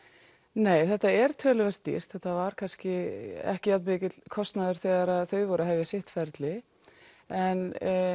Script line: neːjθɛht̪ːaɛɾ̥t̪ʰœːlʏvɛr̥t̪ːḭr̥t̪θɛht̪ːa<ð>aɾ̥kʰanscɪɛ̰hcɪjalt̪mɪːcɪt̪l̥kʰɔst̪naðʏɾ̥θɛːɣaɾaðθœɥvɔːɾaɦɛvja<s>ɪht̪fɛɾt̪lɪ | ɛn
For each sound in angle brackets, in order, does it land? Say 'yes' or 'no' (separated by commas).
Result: no, yes